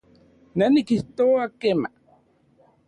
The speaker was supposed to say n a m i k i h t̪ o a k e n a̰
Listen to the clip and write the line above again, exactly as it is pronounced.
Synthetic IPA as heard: n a n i k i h t̪ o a k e m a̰